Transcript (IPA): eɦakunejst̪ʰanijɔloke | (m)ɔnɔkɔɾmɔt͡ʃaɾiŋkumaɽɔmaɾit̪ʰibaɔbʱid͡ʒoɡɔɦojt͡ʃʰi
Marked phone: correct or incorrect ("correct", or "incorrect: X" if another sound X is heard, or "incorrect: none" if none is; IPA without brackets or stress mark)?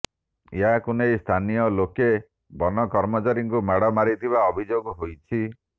incorrect: b